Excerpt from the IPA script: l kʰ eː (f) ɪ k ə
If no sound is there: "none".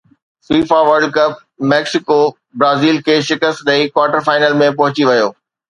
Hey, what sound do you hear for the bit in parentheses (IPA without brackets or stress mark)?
ʃ